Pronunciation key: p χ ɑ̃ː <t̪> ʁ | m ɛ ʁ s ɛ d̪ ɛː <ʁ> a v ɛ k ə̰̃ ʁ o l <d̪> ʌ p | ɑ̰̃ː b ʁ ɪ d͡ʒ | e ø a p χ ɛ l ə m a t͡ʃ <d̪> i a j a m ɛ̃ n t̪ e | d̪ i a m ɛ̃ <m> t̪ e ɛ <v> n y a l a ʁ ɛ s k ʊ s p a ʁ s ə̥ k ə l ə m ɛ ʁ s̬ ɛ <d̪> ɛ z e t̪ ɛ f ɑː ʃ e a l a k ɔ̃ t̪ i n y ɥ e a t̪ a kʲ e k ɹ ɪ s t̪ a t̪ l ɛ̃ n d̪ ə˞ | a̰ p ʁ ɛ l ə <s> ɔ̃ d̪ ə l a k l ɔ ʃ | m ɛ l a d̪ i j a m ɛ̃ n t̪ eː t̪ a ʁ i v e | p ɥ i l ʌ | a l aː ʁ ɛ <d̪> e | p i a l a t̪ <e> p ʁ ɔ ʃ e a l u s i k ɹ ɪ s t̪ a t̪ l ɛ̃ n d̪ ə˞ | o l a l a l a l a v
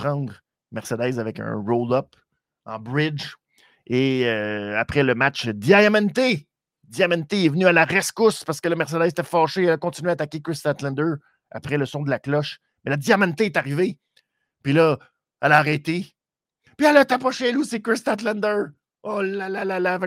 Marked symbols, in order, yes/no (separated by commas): no, no, yes, yes, no, yes, yes, yes, no, no